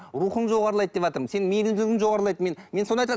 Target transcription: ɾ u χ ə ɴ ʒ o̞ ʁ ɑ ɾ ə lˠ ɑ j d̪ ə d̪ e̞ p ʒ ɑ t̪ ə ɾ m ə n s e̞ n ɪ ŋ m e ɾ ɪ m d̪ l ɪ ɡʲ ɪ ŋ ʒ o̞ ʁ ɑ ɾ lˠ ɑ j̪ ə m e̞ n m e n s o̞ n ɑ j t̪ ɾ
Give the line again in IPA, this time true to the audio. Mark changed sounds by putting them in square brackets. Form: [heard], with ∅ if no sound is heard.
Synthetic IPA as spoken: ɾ u χ ə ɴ ʒ o̞ ʁ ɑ ɾ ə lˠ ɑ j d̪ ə d̪ e̞ p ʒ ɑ t̪ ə ɾ m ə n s e̞ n ɪ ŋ m e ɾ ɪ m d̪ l ɪ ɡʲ ɪ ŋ ʒ o̞ ʁ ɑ ɾ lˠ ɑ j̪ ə m e̞ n m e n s o̞ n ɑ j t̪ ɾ